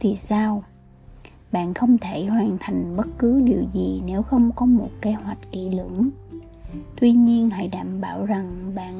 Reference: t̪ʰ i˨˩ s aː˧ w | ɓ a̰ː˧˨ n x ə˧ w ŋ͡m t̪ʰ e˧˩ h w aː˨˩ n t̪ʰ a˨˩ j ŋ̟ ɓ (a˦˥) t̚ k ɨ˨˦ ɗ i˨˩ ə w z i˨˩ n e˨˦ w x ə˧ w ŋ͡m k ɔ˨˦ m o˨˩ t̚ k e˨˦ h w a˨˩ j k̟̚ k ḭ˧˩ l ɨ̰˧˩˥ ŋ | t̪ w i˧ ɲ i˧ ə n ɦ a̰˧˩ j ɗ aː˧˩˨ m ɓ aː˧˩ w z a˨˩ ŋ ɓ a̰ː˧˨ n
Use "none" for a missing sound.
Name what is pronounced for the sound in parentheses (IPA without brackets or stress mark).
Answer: ə˦˥